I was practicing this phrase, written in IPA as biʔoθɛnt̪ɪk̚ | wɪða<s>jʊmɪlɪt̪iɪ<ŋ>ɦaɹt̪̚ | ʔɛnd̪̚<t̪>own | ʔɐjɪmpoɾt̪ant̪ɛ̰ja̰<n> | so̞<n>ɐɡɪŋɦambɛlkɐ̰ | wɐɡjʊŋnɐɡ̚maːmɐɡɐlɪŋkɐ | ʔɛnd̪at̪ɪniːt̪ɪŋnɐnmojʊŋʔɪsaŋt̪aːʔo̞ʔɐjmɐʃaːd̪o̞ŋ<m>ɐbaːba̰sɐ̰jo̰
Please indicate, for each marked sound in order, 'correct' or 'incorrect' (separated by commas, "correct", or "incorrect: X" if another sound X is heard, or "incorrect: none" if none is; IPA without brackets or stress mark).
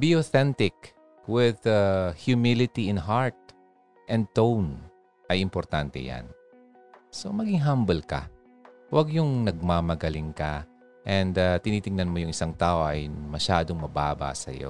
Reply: incorrect: h, incorrect: n, correct, correct, incorrect: m, correct